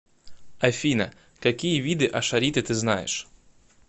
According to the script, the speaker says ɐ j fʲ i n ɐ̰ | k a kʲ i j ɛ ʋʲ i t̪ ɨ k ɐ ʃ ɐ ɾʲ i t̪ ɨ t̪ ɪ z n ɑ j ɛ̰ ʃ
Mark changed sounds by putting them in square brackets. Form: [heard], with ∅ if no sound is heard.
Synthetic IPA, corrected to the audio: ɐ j fʲ i n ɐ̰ | k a kʲ i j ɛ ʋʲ i [d̪] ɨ [ʔ] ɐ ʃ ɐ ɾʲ i t̪ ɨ t̪ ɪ z n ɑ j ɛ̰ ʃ